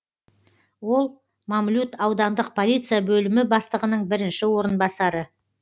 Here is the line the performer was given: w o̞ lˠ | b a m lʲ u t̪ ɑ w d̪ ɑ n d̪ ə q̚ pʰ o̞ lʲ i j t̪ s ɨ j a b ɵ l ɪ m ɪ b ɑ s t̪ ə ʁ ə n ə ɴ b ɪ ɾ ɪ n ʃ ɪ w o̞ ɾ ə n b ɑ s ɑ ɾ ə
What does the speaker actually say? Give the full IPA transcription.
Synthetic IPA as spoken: w o̞ lˠ | m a m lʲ u t̪ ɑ w d̪ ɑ n d̪ ə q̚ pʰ o̞ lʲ i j t̪ s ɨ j a b ɵ l ɪ m ɪ b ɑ s t̪ ə ʁ ə n ə ɴ b ɪ ɾ ɪ n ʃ ɪ w o̞ ɾ ə n b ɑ s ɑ ɾ ə

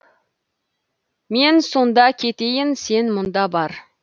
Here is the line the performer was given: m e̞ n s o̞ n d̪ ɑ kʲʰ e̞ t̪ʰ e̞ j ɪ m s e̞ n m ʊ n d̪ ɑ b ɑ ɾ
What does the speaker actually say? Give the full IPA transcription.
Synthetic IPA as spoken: m e̞ n s o̞ n d̪ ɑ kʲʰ e̞ t̪ e̞ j ɪ n s e̞ n m ʊ n d̪ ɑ b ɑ ɾ

